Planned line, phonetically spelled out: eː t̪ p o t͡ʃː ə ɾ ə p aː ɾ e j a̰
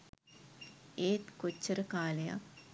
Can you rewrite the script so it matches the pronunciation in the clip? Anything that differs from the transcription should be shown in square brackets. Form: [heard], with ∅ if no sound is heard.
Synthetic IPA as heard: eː t̪ [k] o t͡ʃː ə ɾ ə [k] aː [l] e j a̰